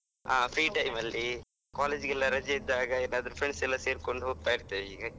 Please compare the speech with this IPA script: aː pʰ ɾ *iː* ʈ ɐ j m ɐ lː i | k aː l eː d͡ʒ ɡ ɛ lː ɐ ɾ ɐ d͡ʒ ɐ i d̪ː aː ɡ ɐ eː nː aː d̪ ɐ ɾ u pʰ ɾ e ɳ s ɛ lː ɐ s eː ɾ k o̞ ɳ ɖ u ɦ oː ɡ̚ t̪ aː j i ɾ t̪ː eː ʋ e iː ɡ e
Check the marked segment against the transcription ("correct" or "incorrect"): correct